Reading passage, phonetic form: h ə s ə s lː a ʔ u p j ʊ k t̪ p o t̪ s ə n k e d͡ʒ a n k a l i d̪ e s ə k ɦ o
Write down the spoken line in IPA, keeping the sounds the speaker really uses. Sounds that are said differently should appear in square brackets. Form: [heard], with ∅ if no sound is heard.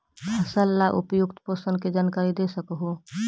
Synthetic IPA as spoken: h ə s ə [∅] lː a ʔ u p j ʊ k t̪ p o [∅] s ə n k e d͡ʒ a n k a [ɾ] i d̪ e s ə k ɦ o